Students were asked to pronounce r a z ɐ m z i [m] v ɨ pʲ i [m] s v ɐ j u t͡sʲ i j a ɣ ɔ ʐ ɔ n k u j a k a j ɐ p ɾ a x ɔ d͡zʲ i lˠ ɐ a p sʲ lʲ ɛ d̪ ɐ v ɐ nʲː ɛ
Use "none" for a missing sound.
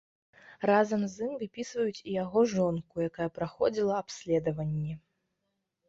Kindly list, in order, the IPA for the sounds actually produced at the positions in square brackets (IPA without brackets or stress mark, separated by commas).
m, none